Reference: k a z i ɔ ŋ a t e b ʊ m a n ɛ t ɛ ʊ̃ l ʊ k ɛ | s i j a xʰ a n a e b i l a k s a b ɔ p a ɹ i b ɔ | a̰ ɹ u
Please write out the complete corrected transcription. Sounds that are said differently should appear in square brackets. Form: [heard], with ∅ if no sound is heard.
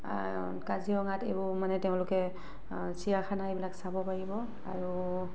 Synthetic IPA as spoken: k a z i ɔ ŋ a t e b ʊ m a n ɛ t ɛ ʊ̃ l ʊ k ɛ | s i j a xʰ a n a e b i l a k s a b ɔ p a ɹ i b ɔ | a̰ ɹ u

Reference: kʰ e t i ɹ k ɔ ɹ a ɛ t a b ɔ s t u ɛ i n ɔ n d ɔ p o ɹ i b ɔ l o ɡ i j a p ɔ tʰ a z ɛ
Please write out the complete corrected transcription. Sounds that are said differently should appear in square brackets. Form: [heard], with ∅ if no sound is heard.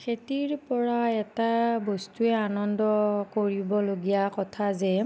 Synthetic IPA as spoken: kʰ e t i ɹ [p] ɔ ɹ a ɛ t a b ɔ s t u ɛ [a] n ɔ n d ɔ [k] o ɹ i b ɔ l o ɡ i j a [k] ɔ tʰ a z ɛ

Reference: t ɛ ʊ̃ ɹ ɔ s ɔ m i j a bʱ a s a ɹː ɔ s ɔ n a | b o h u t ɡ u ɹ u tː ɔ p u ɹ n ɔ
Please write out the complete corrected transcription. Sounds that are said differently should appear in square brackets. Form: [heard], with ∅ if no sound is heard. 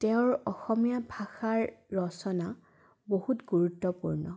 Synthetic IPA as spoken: t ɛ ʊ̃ ɹ ɔ [x] ɔ m i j a bʱ a [x] a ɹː ɔ s ɔ n a | b o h u t ɡ u ɹ u tː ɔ p u ɹ n ɔ

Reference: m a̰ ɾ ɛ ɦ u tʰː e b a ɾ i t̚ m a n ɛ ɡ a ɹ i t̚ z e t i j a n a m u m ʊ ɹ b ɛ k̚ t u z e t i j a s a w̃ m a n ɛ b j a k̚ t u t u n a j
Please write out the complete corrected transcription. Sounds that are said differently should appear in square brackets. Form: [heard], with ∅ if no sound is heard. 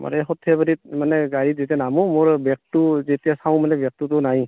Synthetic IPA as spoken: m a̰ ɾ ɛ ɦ [ɔ] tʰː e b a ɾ i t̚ m a n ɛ ɡ a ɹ i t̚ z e t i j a n a m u m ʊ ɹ b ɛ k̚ t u z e t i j a s a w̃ m a n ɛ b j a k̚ t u t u n a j

